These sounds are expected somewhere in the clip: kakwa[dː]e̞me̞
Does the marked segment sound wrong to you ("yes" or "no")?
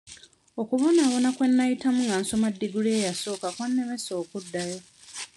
yes